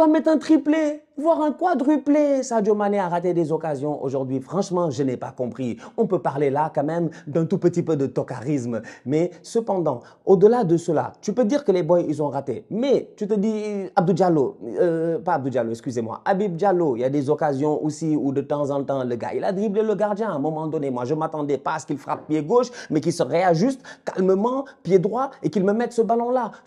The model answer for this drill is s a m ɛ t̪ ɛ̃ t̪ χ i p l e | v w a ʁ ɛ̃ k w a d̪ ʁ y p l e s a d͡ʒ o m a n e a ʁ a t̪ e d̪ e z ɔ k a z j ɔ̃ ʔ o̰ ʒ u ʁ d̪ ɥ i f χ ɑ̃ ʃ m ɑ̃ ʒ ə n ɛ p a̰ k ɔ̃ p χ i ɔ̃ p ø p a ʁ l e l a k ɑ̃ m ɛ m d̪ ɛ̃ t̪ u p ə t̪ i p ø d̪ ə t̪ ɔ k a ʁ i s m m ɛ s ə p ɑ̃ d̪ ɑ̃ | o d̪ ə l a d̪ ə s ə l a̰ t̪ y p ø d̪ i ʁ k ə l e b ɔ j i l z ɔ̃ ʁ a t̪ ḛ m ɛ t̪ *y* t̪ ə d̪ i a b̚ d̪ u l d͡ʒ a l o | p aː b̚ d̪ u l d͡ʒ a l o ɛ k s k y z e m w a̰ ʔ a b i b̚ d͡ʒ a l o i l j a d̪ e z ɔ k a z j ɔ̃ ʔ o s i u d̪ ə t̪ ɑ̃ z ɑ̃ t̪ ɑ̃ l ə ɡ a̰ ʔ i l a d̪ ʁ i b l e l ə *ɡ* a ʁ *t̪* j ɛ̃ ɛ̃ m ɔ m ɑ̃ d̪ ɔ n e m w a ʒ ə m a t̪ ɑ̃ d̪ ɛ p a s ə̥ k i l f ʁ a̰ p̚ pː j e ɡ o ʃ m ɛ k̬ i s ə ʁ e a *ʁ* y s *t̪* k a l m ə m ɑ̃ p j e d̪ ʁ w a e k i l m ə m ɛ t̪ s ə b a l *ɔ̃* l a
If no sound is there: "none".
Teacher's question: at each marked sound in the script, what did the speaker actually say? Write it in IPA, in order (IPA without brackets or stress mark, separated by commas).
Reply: y, ɡ, d̪, ʒ, t̪, ɔ̃